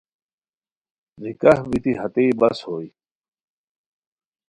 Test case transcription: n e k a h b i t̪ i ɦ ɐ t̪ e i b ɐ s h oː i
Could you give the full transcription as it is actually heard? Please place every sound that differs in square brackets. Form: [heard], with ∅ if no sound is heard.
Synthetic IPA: n [i] k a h b i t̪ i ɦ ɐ t̪ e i b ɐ s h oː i